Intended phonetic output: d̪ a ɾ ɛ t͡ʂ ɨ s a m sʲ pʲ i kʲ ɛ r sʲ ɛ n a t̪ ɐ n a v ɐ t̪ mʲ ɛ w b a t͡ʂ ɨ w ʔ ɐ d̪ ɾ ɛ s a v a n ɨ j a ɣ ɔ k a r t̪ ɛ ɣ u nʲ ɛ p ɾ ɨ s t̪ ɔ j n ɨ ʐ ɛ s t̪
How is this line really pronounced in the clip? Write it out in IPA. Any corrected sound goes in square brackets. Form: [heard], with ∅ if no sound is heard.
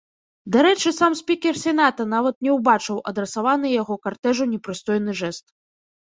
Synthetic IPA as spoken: d̪ a ɾ ɛ t͡ʂ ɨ s a m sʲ pʲ i kʲ ɛ r sʲ ɛ n a t̪ ɐ n a v ɐ t̪ [nʲ] ɛ w b a t͡ʂ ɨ w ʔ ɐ d̪ ɾ ɛ s a v a n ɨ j a ɣ ɔ k a r t̪ ɛ [ʐ] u nʲ ɛ p ɾ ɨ s t̪ ɔ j n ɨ ʐ ɛ s t̪